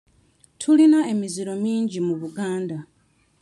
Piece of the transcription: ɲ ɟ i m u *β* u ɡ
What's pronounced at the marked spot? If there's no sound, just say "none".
β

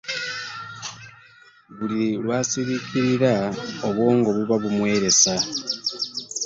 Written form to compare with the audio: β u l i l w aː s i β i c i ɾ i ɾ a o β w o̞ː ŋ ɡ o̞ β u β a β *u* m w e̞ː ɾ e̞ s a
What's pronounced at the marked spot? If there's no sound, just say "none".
u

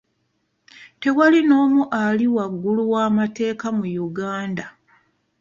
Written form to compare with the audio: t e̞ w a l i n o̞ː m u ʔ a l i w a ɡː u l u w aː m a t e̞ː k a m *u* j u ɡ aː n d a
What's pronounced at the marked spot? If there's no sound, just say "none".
u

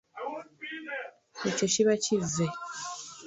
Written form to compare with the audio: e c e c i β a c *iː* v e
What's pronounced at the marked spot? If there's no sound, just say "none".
i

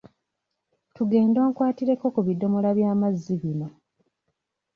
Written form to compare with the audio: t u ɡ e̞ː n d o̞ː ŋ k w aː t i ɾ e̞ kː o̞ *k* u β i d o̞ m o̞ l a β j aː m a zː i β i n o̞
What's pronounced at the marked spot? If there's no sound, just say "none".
k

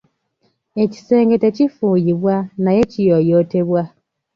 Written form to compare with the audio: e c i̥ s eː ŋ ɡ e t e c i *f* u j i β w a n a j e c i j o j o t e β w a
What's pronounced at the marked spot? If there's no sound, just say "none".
f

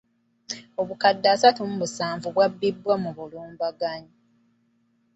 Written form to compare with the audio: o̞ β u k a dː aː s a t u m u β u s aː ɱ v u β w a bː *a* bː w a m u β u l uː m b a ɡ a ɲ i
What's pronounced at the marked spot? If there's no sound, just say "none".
i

